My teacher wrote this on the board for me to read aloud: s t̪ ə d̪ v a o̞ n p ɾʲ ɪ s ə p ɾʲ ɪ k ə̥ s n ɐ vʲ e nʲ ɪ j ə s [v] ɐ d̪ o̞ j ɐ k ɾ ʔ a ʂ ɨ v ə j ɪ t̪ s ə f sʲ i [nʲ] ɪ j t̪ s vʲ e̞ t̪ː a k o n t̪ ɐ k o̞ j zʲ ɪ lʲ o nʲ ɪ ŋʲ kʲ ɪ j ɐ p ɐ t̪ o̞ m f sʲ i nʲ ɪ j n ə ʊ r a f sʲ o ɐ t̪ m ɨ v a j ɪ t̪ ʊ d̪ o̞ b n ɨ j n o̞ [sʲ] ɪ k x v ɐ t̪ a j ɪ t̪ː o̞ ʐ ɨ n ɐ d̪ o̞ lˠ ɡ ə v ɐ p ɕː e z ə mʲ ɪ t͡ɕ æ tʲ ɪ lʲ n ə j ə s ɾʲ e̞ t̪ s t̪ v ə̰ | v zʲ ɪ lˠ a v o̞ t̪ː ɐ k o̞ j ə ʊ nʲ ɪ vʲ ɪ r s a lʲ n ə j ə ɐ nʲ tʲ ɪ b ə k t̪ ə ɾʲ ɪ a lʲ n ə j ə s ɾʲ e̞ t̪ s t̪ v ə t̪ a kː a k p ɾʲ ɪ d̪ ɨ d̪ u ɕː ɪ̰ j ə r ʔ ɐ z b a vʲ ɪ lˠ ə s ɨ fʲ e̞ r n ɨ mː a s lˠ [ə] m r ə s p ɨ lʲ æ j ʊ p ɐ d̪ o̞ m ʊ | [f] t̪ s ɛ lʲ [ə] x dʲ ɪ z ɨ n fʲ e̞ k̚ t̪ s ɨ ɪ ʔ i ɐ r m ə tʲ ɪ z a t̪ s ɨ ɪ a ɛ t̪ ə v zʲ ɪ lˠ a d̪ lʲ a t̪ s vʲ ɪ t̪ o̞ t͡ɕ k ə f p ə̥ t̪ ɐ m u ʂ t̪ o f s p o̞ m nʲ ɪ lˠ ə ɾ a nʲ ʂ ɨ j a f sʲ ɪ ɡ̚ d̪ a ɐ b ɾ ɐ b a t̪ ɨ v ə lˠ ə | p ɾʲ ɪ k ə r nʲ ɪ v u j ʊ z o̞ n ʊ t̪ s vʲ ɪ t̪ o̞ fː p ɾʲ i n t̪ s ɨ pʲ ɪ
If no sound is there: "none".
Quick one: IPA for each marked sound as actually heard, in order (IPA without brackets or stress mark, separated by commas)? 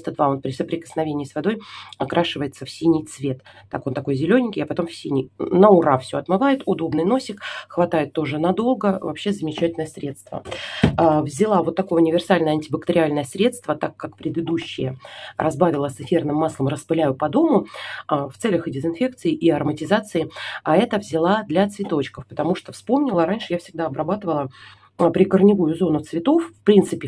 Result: v, nʲ, sʲ, ə, f, ə